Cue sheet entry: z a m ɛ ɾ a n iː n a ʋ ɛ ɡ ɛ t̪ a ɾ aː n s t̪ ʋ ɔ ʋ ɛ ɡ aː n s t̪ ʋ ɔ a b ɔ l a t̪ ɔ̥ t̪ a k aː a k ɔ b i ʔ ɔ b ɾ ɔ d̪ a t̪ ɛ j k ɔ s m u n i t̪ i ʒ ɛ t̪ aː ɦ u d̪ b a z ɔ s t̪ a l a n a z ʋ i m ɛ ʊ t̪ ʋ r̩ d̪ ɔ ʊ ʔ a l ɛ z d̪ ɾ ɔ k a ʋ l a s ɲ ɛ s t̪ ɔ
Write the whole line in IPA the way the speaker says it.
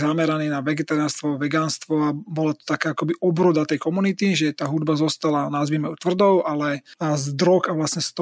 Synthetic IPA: z a m ɛ ɾ a n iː n a ʋ ɛ ɡ ɛ t̪ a ɾ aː n s t̪ ʋ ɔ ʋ ɛ ɡ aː n s t̪ ʋ ɔ a b ɔ l a t̪ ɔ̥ t̪ a k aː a k ɔ b i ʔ ɔ b ɾ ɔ d̪ a t̪ ɛ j k ɔ m u n i t̪ i ʒ ɛ t̪ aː ɦ u d̪ b a z ɔ s t̪ a l a n a z ʋ i m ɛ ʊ t̪ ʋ r̩ d̪ ɔ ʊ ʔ a l ɛ z d̪ ɾ ɔ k a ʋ l a s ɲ ɛ s t̪ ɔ